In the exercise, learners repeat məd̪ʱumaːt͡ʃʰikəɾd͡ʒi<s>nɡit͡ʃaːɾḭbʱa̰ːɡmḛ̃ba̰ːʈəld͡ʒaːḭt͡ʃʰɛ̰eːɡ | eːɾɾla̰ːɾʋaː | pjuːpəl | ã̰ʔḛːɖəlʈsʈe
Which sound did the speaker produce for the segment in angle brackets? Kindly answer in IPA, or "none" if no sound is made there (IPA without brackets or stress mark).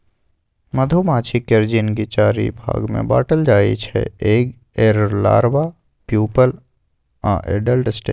none